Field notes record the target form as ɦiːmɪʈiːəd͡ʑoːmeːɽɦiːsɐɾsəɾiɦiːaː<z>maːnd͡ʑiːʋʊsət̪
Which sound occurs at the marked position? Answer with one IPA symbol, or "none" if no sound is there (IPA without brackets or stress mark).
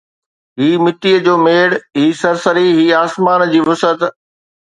s